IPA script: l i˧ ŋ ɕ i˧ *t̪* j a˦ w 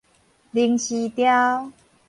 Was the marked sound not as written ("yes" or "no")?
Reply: no